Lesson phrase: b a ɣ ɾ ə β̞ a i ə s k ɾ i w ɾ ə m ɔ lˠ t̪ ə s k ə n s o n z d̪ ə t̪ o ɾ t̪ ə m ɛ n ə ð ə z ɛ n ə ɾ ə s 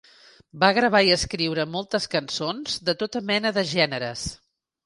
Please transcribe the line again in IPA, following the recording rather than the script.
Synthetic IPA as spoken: b a ɣ ɾ ə β̞ a i ə s k ɾ i w ɾ ə m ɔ lˠ t̪ ə s k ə n s o n z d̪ ə t̪ o t̪ ə m ɛ n ə ð ə ʒ ɛ n ə ɾ ə s